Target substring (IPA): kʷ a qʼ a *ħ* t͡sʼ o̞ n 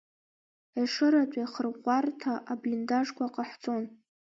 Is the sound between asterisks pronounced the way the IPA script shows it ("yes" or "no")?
yes